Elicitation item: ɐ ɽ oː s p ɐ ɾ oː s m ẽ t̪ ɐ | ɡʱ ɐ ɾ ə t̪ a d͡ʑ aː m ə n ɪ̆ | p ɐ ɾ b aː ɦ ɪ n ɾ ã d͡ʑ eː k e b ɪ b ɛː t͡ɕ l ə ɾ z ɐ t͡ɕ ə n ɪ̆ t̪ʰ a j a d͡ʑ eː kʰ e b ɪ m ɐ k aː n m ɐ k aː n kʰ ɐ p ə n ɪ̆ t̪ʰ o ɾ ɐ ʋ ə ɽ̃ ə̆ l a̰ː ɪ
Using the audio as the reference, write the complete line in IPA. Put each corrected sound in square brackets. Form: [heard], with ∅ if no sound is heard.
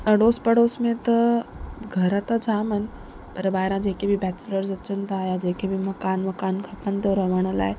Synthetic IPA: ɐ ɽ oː s p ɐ [ɽ] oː s m ẽ t̪ ɐ | ɡʱ ɐ ɾ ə t̪ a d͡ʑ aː m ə n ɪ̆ | p ɐ ɾ b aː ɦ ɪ [∅] ɾ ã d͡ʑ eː k e b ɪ b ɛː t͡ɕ l ə ɾ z ɐ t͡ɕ ə n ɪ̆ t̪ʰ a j a d͡ʑ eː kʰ e b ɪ m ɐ k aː n m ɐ k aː n kʰ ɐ p ə n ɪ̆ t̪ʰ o ɾ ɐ ʋ ə ɽ̃ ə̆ l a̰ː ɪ